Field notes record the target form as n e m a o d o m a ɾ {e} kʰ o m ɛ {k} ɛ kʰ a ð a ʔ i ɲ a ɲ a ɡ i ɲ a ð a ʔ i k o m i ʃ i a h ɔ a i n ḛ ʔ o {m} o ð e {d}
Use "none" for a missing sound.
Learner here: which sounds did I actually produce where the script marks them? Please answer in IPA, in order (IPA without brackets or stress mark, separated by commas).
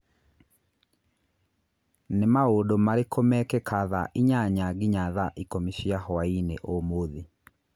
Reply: e, k, m, none